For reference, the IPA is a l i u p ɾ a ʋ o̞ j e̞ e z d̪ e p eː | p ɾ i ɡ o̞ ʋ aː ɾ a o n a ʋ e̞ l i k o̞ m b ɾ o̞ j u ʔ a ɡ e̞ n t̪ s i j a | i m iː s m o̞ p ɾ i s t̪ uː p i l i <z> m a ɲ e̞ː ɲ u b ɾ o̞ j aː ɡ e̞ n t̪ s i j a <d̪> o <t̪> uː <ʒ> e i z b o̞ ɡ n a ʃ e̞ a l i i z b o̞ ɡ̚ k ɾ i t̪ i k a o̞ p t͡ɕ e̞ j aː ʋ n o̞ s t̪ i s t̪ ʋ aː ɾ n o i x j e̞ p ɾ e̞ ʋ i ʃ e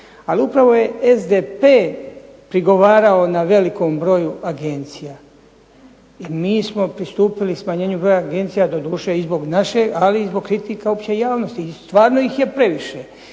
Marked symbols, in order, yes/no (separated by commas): no, yes, no, no